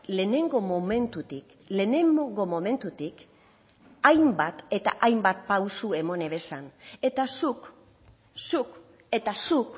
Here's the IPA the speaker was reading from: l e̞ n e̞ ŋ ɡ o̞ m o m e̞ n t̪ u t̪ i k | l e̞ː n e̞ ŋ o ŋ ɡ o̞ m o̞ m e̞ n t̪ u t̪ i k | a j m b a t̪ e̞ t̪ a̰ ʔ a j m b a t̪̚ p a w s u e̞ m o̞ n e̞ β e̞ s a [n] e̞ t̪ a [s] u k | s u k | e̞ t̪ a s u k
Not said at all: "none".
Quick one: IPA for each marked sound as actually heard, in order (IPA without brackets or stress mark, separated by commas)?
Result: n, s